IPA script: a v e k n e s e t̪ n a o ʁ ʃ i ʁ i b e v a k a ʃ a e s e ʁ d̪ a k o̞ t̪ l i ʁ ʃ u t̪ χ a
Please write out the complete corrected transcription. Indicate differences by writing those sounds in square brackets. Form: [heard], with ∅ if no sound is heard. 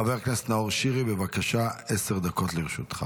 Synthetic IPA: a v e k n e s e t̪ n a o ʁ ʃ i ʁ i b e v a k a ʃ a e s e ʁ d̪ a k o̞ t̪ l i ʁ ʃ u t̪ χ a